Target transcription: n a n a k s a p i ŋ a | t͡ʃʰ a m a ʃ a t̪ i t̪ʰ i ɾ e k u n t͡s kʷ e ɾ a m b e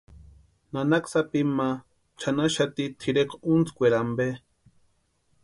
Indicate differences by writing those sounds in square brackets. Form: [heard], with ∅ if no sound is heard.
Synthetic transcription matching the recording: n a n a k s a p i [m] a | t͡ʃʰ a [n] a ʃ a t̪ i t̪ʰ i ɾ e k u n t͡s kʷ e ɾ a m b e